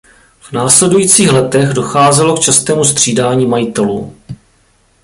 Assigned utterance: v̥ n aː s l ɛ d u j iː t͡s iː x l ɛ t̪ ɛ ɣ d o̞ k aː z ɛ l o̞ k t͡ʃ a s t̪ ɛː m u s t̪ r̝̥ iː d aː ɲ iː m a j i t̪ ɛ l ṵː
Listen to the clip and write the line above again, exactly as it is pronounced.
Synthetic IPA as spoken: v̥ n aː s l ɛ d u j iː t͡s iː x l ɛ t̪ ɛ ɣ d o̞ x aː z ɛ l o̞ k t͡ʃ a s t̪ ɛː m u s t̪ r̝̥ iː d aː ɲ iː m a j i t̪ ɛ l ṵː